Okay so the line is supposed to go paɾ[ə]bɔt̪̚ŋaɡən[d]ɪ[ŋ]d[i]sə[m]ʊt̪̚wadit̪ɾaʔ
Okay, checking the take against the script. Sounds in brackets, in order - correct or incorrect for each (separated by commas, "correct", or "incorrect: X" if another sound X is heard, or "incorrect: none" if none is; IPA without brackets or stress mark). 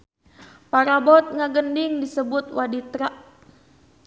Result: incorrect: a, correct, correct, correct, incorrect: b